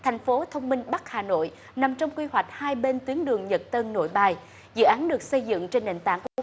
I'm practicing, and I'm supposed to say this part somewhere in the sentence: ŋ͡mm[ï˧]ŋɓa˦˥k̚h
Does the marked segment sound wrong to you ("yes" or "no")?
no